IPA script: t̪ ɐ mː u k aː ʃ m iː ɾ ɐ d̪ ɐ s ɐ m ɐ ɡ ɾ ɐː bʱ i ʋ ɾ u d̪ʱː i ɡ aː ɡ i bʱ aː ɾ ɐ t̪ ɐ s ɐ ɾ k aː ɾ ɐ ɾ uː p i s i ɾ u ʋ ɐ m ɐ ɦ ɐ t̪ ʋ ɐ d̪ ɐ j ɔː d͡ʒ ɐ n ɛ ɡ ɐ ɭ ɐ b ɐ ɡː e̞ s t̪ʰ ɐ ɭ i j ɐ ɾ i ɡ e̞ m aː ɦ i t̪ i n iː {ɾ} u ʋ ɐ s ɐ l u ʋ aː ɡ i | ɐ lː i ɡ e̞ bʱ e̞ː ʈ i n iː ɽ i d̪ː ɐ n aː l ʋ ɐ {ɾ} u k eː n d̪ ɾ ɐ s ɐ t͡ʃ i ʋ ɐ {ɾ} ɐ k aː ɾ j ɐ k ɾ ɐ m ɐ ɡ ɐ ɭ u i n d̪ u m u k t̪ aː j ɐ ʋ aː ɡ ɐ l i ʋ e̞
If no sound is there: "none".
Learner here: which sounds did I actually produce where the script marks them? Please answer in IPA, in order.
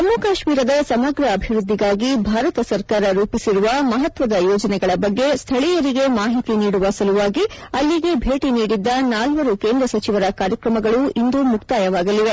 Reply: ɽ, ɾ, ɾ

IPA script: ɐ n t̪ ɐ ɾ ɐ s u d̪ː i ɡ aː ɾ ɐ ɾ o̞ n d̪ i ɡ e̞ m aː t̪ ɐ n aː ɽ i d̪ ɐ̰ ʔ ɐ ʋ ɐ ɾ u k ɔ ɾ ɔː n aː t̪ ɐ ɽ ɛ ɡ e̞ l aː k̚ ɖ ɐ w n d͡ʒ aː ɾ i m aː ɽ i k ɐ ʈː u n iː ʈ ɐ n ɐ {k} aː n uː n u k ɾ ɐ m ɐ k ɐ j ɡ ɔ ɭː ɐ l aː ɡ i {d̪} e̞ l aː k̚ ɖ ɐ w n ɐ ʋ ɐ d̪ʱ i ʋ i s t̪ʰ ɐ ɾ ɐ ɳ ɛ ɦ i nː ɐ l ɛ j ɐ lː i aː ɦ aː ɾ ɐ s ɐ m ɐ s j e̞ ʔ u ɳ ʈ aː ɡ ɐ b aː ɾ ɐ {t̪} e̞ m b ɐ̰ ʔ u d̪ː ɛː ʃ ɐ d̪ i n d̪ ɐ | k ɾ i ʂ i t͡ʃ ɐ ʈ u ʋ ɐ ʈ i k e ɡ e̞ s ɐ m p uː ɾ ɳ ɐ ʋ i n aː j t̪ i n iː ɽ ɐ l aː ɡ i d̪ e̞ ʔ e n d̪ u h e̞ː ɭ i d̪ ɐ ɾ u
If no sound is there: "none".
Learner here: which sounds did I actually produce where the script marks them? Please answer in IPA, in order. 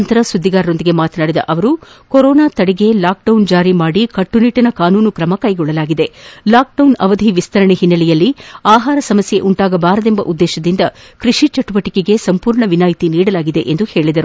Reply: k, d̪, d̪

